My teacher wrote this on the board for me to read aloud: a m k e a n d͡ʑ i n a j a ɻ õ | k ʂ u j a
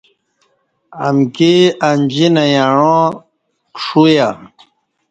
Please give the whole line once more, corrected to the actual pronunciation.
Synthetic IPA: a m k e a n d͡ʑ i n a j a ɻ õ | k ʂ u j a